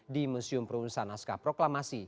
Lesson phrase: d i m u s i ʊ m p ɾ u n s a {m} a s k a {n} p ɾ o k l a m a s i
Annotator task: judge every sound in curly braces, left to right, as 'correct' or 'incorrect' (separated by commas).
incorrect, incorrect